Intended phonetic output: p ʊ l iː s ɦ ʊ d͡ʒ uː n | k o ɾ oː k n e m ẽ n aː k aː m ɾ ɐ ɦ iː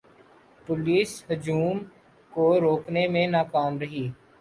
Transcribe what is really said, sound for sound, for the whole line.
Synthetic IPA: p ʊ l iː s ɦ ʊ d͡ʒ uː m | k o ɾ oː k n e m ẽ n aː k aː m ɾ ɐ ɦ iː